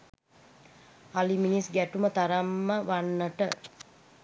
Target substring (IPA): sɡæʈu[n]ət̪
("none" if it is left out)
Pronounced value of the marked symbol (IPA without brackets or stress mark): m